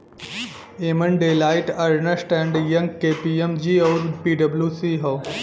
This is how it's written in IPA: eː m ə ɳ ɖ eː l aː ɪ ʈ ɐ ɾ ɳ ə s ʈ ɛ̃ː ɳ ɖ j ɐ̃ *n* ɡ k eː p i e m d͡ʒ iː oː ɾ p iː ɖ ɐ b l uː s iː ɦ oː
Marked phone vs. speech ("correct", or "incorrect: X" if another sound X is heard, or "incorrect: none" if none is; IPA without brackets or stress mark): incorrect: ŋ